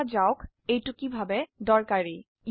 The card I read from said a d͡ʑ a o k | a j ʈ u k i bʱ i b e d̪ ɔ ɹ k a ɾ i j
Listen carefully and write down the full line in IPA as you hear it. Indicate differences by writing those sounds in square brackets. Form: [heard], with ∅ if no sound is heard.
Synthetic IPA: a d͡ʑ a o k | [e] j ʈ u k i bʱ [a] b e d̪ ɔ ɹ k a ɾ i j